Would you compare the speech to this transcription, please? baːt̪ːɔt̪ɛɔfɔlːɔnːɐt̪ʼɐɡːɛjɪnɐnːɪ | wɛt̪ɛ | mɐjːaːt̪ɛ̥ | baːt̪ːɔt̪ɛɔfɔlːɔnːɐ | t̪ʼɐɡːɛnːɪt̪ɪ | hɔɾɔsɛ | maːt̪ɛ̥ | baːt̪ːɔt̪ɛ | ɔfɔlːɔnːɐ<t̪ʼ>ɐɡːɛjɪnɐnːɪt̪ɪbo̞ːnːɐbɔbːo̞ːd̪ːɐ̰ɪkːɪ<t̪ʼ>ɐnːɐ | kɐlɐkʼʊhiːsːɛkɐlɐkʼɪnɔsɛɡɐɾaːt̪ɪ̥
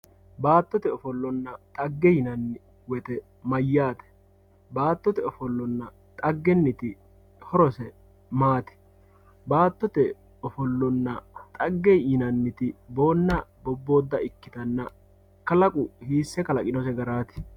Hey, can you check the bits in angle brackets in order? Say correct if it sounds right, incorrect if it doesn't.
correct, incorrect: t̪

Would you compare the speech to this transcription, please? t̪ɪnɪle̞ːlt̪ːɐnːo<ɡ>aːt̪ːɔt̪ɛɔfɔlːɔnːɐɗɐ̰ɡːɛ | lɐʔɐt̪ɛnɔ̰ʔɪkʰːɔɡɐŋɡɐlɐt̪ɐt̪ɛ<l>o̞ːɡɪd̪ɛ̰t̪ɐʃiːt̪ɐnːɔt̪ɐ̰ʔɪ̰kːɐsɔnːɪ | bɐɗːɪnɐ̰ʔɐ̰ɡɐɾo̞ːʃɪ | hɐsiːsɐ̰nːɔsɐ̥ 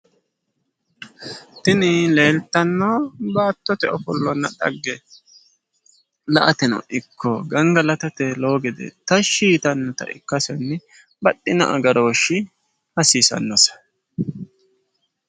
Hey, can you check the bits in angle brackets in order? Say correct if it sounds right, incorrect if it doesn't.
incorrect: b, correct

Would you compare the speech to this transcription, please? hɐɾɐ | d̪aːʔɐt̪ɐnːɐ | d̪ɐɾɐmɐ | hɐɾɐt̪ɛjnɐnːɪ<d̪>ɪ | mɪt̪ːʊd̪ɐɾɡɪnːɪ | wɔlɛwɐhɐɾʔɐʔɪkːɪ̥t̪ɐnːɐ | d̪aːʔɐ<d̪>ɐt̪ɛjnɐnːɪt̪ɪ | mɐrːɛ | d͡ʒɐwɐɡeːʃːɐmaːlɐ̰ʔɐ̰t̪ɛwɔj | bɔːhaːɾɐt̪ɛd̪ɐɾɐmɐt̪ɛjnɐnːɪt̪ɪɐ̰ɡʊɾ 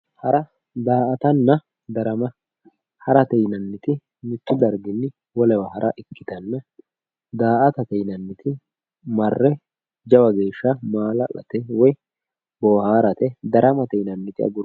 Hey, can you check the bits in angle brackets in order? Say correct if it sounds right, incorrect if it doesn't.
incorrect: t̪, incorrect: t̪

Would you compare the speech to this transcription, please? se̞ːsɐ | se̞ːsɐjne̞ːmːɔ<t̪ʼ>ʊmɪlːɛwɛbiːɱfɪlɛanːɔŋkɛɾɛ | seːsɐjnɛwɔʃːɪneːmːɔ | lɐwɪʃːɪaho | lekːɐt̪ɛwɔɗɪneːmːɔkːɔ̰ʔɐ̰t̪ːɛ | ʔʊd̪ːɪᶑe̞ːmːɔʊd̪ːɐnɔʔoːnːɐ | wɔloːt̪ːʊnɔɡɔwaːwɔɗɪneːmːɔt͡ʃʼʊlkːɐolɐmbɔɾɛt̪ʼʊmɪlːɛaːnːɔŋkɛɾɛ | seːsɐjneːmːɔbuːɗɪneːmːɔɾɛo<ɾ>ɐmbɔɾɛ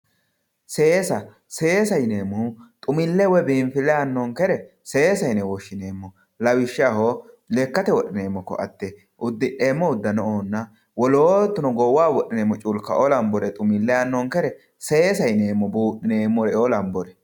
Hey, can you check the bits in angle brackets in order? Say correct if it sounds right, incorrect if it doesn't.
correct, incorrect: l

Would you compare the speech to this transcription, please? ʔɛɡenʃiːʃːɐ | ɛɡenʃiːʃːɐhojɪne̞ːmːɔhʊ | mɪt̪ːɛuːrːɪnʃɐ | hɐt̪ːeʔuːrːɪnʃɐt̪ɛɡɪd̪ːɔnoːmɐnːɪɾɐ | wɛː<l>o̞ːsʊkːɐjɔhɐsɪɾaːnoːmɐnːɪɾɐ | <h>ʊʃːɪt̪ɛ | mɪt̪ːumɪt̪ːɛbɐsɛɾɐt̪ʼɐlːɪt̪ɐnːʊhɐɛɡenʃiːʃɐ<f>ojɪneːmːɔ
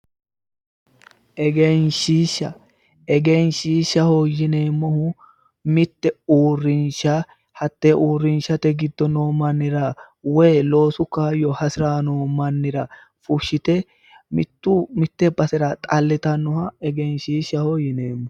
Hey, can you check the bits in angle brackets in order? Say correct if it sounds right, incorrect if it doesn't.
correct, incorrect: f, incorrect: h

